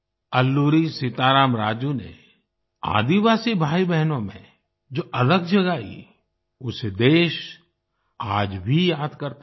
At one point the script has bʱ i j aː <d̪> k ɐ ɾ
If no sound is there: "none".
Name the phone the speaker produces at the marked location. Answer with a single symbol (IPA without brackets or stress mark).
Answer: d̪